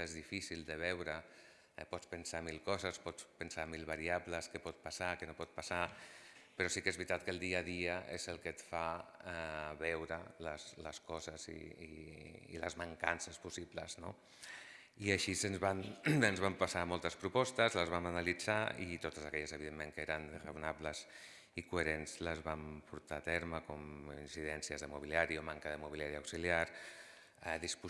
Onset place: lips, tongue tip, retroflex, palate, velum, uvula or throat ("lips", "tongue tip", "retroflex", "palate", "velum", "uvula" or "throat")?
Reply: tongue tip